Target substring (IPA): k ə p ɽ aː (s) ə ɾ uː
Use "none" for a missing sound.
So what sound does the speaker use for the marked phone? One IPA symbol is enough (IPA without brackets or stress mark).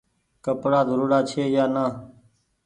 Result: z